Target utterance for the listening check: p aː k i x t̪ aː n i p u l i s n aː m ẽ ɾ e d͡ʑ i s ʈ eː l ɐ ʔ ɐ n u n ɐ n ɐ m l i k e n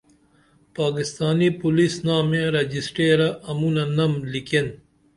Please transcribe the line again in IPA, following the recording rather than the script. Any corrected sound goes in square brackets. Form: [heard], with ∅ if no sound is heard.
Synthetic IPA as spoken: p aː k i [s] t̪ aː n i p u l i s n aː m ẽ ɾ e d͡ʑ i s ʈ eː [ɾ] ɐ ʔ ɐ [m] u n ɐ n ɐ m l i k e n